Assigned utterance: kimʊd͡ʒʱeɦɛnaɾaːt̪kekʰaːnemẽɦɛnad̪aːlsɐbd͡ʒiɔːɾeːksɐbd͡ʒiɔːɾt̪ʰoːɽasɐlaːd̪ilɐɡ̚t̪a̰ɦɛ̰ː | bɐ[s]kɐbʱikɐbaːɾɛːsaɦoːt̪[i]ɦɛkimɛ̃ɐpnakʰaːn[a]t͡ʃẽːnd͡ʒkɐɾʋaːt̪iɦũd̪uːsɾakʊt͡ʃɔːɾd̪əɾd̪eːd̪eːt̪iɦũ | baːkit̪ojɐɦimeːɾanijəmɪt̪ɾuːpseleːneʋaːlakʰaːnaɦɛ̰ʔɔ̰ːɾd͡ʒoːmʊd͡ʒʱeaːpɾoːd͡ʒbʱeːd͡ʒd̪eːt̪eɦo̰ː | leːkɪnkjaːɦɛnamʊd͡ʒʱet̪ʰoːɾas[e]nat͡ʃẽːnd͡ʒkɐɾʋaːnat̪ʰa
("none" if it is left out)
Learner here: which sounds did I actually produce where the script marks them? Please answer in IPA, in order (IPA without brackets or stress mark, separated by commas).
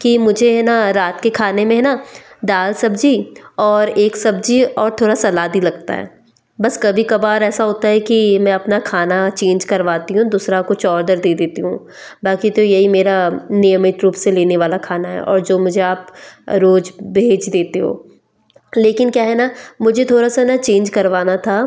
s, a, a, a